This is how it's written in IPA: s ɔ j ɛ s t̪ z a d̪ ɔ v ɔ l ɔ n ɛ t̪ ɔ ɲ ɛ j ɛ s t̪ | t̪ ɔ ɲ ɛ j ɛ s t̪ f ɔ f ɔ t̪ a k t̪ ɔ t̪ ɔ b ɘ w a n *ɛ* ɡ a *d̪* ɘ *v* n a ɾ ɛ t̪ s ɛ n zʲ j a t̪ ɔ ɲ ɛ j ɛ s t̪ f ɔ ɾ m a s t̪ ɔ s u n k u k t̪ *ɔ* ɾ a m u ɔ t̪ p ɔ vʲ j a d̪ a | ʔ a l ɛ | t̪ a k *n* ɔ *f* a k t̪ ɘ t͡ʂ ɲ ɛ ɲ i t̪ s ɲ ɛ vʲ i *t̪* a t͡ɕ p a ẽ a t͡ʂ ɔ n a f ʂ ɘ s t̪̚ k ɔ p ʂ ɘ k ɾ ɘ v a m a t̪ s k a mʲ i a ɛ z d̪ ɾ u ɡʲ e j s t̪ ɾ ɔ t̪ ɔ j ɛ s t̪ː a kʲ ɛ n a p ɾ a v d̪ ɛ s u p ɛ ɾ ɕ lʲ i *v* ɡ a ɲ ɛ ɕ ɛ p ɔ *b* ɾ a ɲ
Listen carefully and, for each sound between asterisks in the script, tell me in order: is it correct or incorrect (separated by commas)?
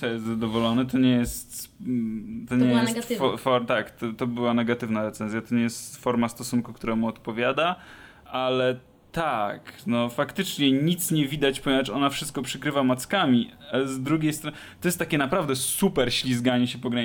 correct, incorrect, correct, incorrect, correct, correct, incorrect, incorrect, incorrect